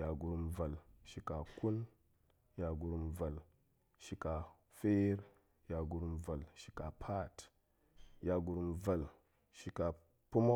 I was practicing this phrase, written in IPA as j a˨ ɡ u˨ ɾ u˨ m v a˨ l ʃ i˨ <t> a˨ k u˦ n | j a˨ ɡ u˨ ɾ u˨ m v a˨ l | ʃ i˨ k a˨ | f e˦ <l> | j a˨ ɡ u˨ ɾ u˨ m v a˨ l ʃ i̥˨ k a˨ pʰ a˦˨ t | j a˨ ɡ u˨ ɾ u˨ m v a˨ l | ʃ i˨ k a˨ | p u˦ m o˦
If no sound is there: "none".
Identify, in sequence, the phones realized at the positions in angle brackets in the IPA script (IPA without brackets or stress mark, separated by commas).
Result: k, ɾ